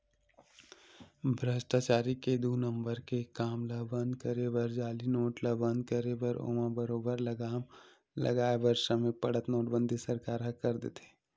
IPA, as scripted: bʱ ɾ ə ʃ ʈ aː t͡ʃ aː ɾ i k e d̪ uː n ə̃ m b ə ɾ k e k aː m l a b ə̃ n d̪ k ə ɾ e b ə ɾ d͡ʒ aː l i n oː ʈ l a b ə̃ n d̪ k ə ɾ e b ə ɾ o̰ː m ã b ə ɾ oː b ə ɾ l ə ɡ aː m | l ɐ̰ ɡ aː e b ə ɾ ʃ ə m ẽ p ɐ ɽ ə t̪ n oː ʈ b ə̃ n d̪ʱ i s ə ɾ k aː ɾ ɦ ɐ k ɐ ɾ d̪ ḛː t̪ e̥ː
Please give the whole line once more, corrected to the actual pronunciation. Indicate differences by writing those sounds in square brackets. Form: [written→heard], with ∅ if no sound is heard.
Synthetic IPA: bʱ ɾ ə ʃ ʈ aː t͡ʃ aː ɾ i k e d̪ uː n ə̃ m b ə ɾ k e k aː m l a b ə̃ n d̪ k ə ɾ e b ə ɾ d͡ʒ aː l i n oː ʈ l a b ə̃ n d̪ k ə ɾ e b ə ɾ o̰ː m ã b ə ɾ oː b ə ɾ l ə ɡ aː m | l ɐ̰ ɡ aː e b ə ɾ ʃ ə m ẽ p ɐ ɽ ə t̪ n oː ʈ b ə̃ n d̪ʱ i s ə ɾ k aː ɾ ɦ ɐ k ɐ ɾ d̪ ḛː t̪ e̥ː